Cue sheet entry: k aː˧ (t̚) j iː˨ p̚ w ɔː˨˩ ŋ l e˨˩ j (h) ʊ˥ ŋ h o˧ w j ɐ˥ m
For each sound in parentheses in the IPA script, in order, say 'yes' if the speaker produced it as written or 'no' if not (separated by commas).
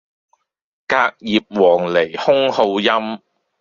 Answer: no, yes